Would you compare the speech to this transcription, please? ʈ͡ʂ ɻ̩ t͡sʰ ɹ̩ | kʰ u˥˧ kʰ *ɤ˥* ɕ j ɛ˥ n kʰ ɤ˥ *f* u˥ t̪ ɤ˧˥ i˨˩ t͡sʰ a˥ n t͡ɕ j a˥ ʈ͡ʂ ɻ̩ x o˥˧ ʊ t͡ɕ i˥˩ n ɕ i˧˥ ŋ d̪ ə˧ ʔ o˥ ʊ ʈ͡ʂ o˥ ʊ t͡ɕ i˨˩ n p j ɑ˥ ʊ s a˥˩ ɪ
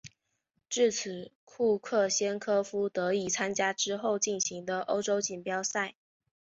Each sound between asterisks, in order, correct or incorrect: incorrect: ɤ˥˩, correct

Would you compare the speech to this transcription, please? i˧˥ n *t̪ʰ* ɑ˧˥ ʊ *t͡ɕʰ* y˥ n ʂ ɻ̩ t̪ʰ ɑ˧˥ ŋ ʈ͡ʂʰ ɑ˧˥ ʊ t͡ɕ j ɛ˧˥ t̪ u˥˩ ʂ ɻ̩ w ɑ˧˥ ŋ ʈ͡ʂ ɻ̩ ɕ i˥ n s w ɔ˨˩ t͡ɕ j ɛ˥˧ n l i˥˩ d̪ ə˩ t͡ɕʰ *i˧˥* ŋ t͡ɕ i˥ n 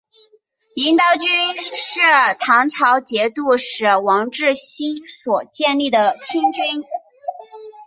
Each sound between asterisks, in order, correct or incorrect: incorrect: t̪, incorrect: t͡ɕ, incorrect: i˥

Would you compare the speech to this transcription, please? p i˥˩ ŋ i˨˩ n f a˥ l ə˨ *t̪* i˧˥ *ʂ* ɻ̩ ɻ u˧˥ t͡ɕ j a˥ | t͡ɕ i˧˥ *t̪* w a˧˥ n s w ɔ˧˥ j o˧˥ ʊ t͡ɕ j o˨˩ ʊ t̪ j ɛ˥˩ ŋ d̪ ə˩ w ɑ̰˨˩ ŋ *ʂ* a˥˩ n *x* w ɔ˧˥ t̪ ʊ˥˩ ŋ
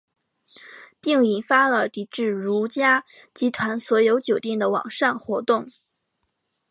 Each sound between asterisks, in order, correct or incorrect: correct, incorrect: ʈ͡ʂ, incorrect: t̪ʰ, correct, correct

